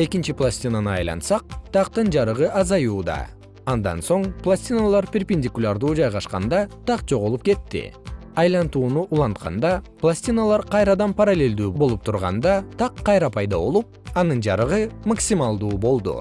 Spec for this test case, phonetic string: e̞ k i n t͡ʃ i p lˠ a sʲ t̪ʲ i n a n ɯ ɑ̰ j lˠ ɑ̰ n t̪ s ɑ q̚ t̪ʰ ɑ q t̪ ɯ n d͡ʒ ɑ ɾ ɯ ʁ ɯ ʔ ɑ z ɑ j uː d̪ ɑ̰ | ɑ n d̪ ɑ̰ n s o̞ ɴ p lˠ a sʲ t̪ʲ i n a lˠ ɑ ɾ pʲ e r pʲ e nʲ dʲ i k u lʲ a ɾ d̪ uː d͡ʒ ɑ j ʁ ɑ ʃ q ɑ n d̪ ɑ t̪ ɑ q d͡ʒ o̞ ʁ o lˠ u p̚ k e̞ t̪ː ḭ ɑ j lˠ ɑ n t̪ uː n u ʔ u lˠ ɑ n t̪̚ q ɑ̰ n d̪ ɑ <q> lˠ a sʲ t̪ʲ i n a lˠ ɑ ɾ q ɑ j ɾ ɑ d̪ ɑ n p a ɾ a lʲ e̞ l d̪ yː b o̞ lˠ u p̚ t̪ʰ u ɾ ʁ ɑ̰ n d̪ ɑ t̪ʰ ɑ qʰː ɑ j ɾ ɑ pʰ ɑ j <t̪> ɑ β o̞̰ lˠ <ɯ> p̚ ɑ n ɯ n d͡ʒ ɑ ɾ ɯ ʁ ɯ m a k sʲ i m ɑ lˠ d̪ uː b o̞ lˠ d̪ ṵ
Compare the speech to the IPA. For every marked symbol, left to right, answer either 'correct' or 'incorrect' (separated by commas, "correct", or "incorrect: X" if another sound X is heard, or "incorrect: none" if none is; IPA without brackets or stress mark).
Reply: incorrect: p, incorrect: d̪, incorrect: u